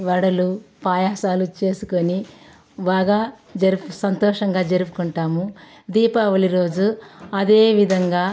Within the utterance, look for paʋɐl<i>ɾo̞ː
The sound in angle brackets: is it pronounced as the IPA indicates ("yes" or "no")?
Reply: yes